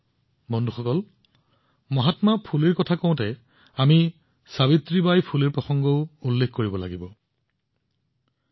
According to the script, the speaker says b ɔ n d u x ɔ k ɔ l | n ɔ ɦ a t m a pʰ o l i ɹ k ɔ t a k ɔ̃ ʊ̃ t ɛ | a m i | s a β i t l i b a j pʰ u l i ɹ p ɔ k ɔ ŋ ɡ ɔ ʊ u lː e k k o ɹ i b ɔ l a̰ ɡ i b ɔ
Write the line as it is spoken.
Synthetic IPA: b ɔ n d u x ɔ k ɔ l | m ɔ ɦ a t m a pʰ u l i ɹ k ɔ tʰ a k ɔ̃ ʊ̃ t ɛ | a m i | s a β i t ɹ i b a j pʰ u l i ɹ p ɔ x ɔ ŋ ɡ ɔ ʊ u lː e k k o ɹ i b ɔ l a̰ ɡ i b ɔ